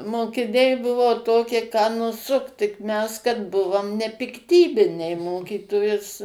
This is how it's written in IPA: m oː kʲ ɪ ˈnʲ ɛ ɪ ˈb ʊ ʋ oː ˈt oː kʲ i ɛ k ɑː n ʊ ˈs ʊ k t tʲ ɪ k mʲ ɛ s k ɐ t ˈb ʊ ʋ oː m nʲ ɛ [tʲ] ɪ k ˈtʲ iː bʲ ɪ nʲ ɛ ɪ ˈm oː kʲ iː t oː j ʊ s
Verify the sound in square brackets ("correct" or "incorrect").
incorrect